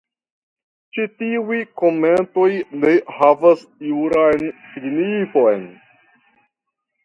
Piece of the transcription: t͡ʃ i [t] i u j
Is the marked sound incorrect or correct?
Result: correct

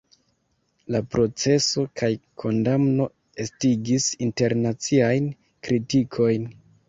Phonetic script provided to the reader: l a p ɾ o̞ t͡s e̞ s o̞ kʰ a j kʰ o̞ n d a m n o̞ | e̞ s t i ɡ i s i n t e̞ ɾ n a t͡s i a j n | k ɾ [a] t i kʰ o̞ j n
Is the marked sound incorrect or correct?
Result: incorrect: i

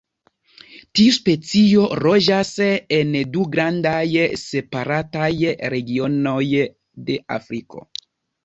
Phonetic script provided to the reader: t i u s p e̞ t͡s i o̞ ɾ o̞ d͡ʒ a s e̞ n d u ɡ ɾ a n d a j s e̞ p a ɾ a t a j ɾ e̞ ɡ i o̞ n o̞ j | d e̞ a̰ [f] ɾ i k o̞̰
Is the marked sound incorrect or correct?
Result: correct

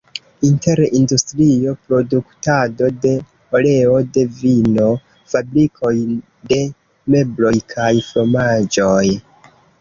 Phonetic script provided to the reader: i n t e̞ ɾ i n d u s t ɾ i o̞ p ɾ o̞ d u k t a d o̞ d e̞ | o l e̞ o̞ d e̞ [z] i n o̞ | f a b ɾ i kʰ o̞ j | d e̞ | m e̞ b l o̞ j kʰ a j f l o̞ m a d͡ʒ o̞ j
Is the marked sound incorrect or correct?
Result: incorrect: v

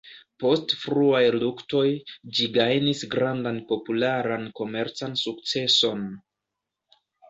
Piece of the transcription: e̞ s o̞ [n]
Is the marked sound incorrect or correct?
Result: correct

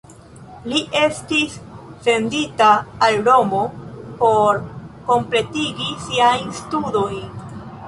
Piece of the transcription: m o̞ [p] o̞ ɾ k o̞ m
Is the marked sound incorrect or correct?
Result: correct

